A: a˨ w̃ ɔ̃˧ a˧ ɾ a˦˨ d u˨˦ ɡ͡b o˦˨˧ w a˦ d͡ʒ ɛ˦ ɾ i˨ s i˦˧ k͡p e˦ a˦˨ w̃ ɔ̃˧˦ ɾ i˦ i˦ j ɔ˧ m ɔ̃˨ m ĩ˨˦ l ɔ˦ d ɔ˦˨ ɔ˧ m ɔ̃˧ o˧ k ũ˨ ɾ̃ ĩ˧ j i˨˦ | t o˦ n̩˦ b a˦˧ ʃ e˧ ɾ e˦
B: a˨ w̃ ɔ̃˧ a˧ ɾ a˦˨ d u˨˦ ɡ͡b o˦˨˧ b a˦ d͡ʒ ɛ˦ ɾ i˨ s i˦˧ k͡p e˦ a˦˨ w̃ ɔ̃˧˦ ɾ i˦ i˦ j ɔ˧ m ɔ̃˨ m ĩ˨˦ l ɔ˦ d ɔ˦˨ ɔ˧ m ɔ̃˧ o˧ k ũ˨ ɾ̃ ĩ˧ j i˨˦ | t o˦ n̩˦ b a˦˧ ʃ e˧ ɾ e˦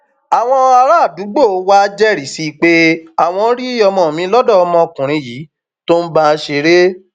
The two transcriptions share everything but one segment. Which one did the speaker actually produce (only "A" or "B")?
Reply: A